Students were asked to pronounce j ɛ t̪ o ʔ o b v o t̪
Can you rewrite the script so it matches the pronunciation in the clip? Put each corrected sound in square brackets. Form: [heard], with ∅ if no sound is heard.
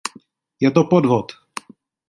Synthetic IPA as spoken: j ɛ t̪ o [p] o [d] v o t̪